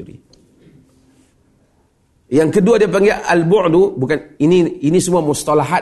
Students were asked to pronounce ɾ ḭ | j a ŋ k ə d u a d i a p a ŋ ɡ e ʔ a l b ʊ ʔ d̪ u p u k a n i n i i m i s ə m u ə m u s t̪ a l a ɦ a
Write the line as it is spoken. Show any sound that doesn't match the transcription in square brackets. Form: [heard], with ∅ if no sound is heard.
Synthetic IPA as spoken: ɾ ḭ | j a ŋ k ə d u a d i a p a ŋ ɡ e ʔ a l b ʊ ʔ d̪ u [b] u k a n i n i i [n] i s ə m u [a] m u s t̪ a l a ɦ a